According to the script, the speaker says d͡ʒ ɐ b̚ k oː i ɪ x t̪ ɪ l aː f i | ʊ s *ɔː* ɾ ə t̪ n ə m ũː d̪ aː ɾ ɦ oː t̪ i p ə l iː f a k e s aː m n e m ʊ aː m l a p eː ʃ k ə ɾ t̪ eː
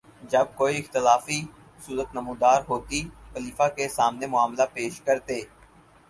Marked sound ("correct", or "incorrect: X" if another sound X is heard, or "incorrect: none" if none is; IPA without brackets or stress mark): incorrect: uː